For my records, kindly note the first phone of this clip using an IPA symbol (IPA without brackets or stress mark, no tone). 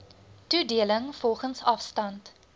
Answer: t